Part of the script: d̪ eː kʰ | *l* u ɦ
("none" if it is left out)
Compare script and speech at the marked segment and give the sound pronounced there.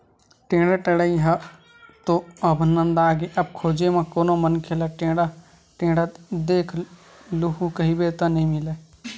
l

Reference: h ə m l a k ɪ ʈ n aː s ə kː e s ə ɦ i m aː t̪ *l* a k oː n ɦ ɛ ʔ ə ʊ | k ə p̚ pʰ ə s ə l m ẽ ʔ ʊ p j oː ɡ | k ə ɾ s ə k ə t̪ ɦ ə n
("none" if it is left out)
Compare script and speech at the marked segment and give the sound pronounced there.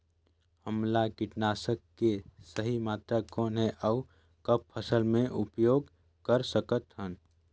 ɾ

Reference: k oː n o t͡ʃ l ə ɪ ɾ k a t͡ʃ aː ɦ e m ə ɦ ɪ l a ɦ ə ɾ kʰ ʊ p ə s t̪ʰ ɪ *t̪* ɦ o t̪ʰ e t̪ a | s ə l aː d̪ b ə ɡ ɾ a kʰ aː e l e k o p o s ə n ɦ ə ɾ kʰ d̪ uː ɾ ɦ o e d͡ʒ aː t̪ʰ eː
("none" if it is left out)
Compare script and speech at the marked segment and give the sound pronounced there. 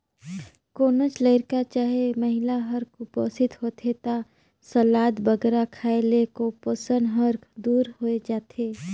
t̪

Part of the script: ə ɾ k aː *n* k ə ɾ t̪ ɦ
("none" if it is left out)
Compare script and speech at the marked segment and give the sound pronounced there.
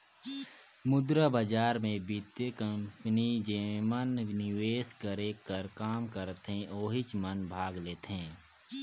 m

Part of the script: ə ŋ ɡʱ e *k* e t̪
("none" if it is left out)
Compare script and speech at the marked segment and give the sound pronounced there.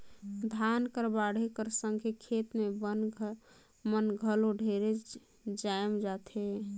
kʰ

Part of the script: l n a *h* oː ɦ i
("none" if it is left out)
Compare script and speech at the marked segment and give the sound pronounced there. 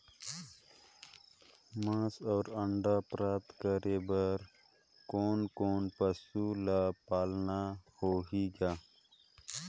h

